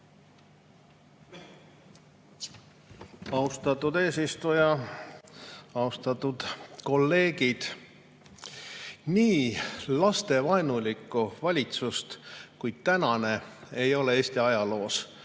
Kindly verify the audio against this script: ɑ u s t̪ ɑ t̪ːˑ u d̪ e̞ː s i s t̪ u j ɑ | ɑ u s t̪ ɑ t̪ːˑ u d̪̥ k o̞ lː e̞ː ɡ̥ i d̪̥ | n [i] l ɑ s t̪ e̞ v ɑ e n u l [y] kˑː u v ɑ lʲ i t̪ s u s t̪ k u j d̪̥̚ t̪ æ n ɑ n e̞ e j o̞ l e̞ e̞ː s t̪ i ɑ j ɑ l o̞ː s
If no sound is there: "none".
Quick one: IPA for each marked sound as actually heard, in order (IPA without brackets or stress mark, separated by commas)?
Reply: iː, i